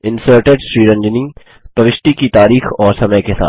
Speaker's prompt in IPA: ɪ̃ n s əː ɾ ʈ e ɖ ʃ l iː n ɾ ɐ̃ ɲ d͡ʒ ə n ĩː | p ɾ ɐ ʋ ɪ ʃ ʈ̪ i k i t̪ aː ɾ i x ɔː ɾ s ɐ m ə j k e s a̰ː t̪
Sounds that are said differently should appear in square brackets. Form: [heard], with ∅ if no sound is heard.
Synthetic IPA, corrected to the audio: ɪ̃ n s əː ɾ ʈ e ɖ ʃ [ɾ] iː [∅] ɾ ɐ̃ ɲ d͡ʒ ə n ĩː | p ɾ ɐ ʋ ɪ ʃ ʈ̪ i k i t̪ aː ɾ [iː] x ɔː ɾ s ɐ m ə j k e s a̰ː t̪